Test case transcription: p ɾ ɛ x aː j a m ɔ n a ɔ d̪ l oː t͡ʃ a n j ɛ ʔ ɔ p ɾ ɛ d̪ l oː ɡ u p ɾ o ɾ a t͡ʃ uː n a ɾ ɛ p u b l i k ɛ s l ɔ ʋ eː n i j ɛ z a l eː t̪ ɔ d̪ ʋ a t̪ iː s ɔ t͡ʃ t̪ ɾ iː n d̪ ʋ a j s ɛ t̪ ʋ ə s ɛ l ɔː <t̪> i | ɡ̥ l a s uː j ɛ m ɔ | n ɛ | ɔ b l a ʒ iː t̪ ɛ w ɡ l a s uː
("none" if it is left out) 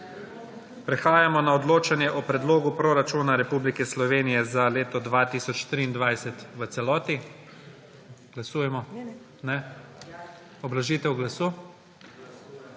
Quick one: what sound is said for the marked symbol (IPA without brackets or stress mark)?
t̪